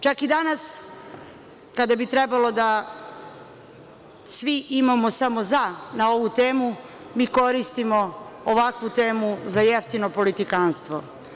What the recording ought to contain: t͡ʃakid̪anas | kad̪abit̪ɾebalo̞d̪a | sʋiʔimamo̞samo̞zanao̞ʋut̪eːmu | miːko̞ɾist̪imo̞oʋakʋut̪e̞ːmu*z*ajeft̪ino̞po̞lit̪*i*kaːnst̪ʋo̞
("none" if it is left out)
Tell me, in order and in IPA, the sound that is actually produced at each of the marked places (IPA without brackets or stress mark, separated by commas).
z, i